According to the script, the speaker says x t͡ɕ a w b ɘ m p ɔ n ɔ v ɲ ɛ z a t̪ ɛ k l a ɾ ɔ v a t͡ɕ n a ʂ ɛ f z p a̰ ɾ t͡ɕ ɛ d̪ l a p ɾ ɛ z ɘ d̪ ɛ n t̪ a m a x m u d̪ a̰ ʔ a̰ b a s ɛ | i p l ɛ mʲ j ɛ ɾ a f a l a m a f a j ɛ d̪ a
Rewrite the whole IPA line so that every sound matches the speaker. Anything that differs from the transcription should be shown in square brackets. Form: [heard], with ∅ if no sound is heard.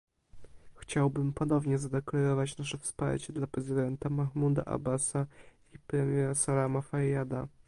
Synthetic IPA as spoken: x t͡ɕ a w b ɘ m p ɔ n ɔ v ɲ ɛ z a [d̪] ɛ k l a ɾ ɔ v a t͡ɕ n a ʂ ɛ f [s] p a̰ ɾ t͡ɕ ɛ d̪ l a p ɾ ɛ z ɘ d̪ ɛ n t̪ a m a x m u d̪ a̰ ʔ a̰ b a s [a] | i p [ɾ] ɛ mʲ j ɛ ɾ a [s] a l a m a f a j [a] d̪ a